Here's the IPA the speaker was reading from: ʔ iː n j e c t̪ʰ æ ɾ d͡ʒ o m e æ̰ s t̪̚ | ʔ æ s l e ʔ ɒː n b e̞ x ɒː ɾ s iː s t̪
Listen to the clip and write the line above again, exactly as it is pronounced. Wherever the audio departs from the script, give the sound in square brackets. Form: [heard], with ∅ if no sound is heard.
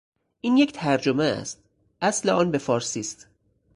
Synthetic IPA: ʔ iː n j e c t̪ʰ æ ɾ d͡ʒ o m e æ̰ s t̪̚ | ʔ æ s l e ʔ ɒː n b e̞ [f] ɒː ɾ s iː s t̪